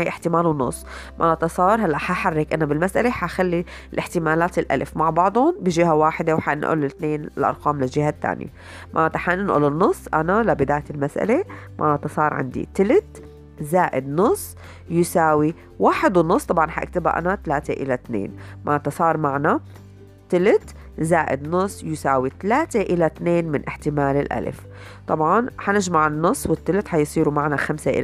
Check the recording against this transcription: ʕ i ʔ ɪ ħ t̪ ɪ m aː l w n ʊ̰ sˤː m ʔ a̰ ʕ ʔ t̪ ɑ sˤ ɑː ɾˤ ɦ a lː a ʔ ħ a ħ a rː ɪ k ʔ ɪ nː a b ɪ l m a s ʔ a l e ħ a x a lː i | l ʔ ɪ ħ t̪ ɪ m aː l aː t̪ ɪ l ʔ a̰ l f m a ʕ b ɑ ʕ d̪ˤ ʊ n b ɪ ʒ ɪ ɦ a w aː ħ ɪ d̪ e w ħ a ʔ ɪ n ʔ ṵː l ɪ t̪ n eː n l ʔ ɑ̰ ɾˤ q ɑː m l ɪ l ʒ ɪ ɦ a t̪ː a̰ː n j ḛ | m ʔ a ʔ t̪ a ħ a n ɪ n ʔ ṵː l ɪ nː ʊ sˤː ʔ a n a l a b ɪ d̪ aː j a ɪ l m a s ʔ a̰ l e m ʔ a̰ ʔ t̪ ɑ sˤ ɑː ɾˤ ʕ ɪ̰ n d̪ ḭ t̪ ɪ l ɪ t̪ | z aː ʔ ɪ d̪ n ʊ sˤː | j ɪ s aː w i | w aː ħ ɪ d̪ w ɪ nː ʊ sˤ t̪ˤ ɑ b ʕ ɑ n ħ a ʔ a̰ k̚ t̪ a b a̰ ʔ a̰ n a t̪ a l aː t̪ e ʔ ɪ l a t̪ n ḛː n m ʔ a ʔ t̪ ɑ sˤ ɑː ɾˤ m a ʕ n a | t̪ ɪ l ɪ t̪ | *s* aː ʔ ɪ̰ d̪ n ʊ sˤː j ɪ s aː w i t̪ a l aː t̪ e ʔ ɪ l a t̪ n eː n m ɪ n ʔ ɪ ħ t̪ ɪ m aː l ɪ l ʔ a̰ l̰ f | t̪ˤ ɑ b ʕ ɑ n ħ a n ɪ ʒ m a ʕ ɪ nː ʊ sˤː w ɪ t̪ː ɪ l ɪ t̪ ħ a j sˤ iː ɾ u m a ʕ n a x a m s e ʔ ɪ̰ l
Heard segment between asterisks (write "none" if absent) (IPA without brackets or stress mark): z